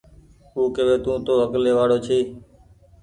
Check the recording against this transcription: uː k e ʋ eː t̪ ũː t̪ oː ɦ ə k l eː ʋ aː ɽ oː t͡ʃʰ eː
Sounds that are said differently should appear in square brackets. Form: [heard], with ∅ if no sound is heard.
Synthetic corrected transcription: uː k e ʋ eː t̪ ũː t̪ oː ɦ ə k l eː ʋ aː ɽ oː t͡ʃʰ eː